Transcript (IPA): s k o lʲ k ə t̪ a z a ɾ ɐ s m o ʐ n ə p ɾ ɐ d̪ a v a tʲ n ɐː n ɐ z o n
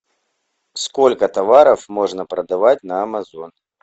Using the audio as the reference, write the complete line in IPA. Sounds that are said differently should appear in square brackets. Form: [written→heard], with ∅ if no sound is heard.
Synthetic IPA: s k o lʲ k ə t̪ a [z→v] a ɾ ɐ [s→f] m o ʐ n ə p ɾ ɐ d̪ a v a tʲ n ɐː [n→m] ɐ z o n